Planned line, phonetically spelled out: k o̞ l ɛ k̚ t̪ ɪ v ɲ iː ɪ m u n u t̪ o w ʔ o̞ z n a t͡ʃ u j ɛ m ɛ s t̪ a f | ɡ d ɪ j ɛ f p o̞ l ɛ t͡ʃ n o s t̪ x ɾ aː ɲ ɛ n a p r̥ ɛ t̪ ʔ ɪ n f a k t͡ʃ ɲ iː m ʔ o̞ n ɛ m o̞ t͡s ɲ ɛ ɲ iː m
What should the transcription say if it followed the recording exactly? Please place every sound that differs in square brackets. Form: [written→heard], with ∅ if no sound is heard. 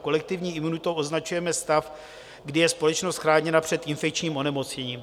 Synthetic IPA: k o̞ l ɛ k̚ t̪ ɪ v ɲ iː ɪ m u n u t̪ o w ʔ o̞ z n a t͡ʃ u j ɛ m ɛ s t̪ a f | ɡ d ɪ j ɛ [f→s] p o̞ l ɛ t͡ʃ n o s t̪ x ɾ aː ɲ ɛ n a p r̥ ɛ t̪ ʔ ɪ n f [a→ɛ] k t͡ʃ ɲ iː m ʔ o̞ n ɛ m o̞ t͡s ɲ ɛ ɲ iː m